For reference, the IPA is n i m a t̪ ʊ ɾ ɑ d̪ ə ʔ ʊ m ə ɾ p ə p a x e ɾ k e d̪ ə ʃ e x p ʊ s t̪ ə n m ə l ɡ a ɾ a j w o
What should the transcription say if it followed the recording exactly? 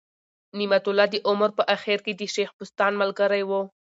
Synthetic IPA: n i m a t̪ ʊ l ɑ d̪ ə ʔ ʊ m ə ɾ p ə ʔ a x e ɾ k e d̪ ə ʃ e x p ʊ s t̪ ɑ n m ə l ɡ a ɾ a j w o